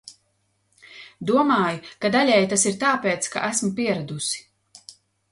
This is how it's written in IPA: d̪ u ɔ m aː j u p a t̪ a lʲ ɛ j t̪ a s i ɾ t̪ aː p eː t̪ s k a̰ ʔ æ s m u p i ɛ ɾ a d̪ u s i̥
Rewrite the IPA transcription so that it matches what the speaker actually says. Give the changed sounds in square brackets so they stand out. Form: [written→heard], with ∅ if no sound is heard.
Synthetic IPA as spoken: d̪ u ɔ m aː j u [p→k] a [t̪→d̪] a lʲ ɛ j t̪ a s i ɾ t̪ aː p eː t̪ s k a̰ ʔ æ s m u p i ɛ ɾ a d̪ u s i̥

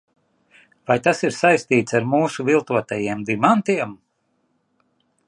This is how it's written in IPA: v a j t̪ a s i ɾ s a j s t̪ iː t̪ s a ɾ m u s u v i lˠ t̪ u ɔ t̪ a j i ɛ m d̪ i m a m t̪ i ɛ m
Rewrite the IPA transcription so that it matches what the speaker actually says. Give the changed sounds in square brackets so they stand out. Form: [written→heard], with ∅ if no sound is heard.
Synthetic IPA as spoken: v a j t̪ a s i ɾ s a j s t̪ iː t̪ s a ɾ m [u→uː] s u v i lˠ t̪ u ɔ t̪ a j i ɛ m d̪ i m a [m→n] t̪ i ɛ m

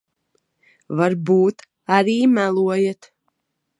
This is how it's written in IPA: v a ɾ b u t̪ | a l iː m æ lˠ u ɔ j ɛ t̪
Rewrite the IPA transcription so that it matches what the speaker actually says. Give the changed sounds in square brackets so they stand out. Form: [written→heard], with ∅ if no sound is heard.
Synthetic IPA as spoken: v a ɾ b [u→uː] t̪ | a [l→ɾ] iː m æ lˠ u ɔ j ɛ t̪

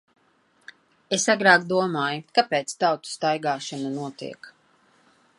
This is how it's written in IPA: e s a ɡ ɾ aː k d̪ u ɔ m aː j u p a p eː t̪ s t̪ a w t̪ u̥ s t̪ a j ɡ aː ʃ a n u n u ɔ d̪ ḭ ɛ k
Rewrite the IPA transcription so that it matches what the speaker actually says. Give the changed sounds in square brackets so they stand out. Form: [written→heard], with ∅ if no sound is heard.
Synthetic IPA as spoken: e s a ɡ ɾ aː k d̪ u ɔ m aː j u [p→k] a p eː t̪ s t̪ a w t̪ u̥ s t̪ a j ɡ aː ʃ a n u n u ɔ [d̪→t̪] ḭ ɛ k

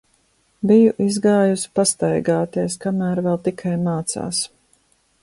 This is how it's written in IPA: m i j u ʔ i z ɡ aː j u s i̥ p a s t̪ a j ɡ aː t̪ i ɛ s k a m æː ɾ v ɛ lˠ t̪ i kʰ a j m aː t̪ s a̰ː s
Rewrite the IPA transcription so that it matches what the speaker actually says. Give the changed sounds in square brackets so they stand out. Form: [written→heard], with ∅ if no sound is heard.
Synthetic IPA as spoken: [m→b] i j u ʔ i z ɡ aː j u s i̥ p a s t̪ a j ɡ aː t̪ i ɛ s k a m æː ɾ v ɛ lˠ t̪ i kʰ a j m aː t̪ s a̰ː s

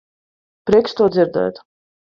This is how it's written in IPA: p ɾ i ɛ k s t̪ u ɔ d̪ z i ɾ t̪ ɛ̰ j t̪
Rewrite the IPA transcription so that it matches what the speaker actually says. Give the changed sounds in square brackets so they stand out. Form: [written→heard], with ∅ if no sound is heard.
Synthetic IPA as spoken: p ɾ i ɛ k s t̪ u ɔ d̪ z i ɾ [t̪→d̪] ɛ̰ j t̪

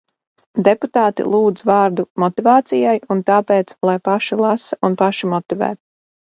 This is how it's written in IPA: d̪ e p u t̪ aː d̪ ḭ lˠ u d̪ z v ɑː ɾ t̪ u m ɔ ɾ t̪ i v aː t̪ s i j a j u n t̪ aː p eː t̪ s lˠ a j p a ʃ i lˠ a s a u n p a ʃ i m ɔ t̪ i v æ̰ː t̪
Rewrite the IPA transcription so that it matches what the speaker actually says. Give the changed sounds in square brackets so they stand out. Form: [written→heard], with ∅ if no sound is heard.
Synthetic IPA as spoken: d̪ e p u t̪ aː [d̪→t̪] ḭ lˠ [u→uː] d̪ z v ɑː ɾ [t̪→d̪] u m ɔ [ɾ→∅] t̪ i v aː t̪ s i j a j u n t̪ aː p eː t̪ s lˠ a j p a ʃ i lˠ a s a u n p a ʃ i m ɔ t̪ i v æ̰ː t̪

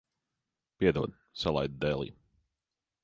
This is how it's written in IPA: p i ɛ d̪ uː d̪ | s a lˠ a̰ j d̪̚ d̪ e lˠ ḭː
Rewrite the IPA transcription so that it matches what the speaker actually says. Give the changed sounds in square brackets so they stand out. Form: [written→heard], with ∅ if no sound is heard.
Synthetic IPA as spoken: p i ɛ d̪ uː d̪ | s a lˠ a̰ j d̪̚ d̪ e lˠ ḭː

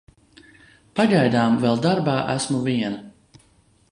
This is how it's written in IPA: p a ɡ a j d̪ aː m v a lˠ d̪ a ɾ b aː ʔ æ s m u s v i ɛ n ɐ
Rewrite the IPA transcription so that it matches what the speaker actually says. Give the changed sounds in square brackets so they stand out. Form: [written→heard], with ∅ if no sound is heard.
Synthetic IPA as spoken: p a ɡ a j d̪ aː m v [a→ɛ] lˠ d̪ a ɾ b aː ʔ æ s m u [s→∅] v i ɛ n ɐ

